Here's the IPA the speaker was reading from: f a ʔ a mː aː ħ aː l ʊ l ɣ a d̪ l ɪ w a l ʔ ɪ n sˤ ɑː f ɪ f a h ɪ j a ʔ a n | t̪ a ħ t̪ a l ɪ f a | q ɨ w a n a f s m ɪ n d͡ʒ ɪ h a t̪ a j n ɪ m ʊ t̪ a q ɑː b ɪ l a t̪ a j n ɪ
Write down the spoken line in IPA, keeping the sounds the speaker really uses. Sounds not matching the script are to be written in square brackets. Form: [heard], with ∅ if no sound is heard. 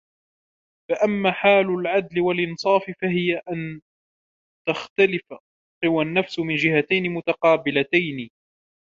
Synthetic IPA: f a ʔ a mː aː ħ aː l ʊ l [ʕ] a d̪ l ɪ w a l ʔ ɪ n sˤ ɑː f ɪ f a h ɪ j a ʔ a n | t̪ a [x] t̪ a l ɪ f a | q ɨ w a [nː] a f s m ɪ n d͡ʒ ɪ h a t̪ a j n ɪ m ʊ t̪ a q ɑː b ɪ l a t̪ a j n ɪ